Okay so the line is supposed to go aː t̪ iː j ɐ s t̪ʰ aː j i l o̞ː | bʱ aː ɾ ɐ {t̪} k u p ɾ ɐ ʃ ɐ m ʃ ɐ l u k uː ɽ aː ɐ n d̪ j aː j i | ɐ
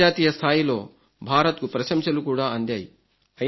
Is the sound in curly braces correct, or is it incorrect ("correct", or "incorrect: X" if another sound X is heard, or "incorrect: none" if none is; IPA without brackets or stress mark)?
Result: correct